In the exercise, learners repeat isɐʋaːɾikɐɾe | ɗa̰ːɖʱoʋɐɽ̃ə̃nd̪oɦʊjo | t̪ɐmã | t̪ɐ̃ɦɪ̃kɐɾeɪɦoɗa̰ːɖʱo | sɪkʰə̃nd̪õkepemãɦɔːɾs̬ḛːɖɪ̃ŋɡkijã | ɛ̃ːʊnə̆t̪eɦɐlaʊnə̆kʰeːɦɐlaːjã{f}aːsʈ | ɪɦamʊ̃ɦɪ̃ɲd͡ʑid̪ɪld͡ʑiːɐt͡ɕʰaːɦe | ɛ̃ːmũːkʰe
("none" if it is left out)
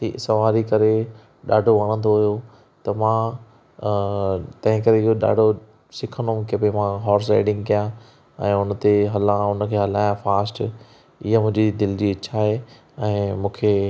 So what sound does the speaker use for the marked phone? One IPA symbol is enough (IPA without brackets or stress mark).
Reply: f